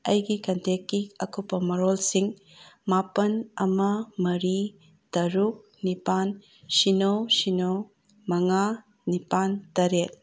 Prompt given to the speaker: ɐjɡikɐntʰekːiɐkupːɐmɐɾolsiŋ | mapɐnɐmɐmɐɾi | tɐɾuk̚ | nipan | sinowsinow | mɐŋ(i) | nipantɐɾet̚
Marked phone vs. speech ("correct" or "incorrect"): incorrect